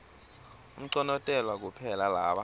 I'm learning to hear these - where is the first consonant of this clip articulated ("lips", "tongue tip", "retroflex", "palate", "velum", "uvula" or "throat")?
lips